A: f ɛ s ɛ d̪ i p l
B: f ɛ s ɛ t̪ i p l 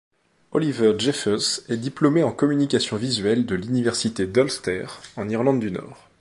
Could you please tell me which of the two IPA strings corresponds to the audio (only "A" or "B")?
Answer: A